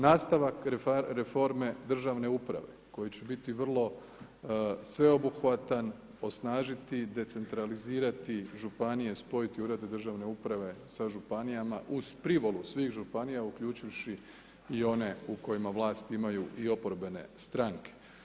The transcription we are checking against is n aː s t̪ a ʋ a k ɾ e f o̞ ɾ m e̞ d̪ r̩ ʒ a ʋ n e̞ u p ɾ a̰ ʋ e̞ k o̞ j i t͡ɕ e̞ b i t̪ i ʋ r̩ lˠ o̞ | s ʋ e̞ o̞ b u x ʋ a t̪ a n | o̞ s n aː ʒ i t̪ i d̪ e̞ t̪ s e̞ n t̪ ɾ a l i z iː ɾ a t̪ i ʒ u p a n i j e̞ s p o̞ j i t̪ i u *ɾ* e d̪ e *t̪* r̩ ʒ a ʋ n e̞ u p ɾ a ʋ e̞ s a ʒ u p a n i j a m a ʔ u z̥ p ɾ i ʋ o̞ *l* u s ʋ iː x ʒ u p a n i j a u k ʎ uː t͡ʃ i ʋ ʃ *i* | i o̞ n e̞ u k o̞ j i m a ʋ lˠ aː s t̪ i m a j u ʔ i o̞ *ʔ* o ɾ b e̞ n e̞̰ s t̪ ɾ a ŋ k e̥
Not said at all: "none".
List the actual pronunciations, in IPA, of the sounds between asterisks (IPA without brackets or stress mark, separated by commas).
ɾ, d̪, l, i, p